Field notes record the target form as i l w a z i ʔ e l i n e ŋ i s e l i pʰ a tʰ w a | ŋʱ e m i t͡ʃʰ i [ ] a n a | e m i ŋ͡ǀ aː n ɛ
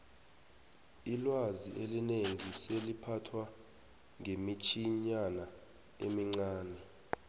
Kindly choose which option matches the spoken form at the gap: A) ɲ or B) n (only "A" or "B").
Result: A